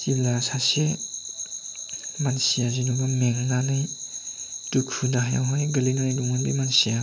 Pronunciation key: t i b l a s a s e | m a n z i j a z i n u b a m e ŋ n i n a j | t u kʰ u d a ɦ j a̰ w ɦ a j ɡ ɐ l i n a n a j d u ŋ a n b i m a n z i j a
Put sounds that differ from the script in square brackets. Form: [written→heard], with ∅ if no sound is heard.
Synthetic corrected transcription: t i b l a s a s e | m a n [z→s] i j a z i n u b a m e ŋ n [i→a] n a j | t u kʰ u d a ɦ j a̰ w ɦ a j ɡ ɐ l i n a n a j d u ŋ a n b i m a n [z→s] i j a